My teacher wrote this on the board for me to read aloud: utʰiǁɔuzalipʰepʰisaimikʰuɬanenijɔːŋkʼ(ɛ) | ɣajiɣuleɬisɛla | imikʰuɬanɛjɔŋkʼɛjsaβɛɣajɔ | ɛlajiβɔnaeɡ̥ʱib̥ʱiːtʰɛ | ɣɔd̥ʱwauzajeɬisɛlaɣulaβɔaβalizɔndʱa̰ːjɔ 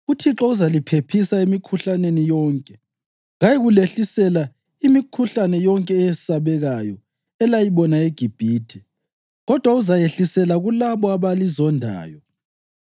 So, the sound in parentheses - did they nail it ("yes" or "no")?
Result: yes